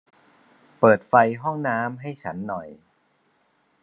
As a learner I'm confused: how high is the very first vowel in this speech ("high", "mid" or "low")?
mid